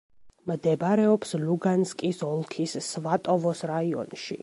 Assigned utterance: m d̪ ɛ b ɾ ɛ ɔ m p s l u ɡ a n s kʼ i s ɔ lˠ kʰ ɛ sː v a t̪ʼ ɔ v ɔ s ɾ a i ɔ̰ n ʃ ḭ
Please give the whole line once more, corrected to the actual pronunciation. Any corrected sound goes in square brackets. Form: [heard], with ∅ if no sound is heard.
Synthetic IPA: m d̪ ɛ b ɾ ɛ ɔ [∅] p s l u ɡ a n s kʼ i s ɔ lˠ kʰ [i] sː v a t̪ʼ ɔ v ɔ s ɾ a i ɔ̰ n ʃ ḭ